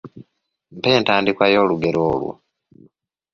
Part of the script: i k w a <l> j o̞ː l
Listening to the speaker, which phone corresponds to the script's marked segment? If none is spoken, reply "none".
none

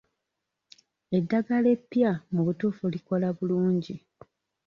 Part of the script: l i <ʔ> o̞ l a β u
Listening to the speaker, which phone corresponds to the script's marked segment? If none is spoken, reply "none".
k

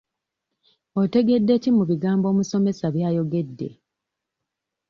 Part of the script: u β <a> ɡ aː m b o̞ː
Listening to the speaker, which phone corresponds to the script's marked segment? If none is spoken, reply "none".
i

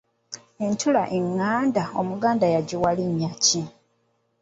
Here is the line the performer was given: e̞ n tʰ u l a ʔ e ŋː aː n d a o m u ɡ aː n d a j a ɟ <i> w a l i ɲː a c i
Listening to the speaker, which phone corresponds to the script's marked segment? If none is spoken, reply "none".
i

